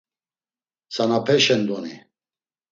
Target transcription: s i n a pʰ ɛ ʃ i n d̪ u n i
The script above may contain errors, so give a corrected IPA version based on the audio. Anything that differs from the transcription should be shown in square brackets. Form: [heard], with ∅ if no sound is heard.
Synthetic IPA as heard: s [a] n a pʰ ɛ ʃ [ɛ] n d̪ [ɔ] n i